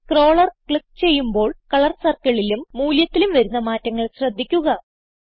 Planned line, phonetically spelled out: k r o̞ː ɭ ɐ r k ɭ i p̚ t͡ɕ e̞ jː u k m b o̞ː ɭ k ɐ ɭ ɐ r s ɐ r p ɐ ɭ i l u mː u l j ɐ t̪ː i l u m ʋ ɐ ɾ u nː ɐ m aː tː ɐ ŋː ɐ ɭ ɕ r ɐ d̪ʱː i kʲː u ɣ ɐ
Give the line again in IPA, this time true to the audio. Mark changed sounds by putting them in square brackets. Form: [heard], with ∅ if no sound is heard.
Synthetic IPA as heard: k r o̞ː ɭ ɐ r k ɭ i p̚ t͡ɕ e̞ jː u [∅] m b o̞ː ɭ k ɐ ɭ ɐ r s ɐ r [k] ɐ ɭ i l u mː [uː] l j ɐ t̪ː i l u m ʋ ɐ ɾ u nː ɐ m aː tː ɐ ŋː ɐ ɭ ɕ r ɐ d̪ʱː i kʲː u ɣ ɐ